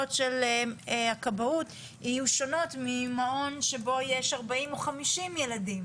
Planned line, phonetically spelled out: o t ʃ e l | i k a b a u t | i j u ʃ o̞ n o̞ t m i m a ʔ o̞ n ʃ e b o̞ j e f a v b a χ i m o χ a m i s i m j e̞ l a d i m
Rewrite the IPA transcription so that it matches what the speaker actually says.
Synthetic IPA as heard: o t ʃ e l | a k a b a u t | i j u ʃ o̞ n o̞ t m i m a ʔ o̞ n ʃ e b o̞ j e ʃ a ʁ b a i m o χ a m i ʃ i m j e̞ l a d i m